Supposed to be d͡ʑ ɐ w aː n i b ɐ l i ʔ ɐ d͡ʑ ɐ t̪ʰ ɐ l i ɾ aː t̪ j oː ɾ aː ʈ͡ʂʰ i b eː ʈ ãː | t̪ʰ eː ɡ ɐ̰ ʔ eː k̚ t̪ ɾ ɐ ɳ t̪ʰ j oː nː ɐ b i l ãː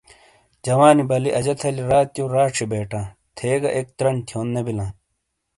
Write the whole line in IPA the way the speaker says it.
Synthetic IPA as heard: d͡ʑ ɐ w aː n i b ɐ l i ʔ ɐ d͡ʑ ɐ t̪ʰ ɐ l i ɾ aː t̪ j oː ɾ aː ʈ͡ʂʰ i b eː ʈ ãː | t̪ʰ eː ɡ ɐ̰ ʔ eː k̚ t̪ ɾ ɐ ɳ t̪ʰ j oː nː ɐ b i l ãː